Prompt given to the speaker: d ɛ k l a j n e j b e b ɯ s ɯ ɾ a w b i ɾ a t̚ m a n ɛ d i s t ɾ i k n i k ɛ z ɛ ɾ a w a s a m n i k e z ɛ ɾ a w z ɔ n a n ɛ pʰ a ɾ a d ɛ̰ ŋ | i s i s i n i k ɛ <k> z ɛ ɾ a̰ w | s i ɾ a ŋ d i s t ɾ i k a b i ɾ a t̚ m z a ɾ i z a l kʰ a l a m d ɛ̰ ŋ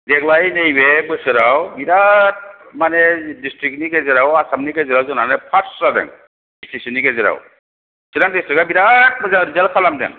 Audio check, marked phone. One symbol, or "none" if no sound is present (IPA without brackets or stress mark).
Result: none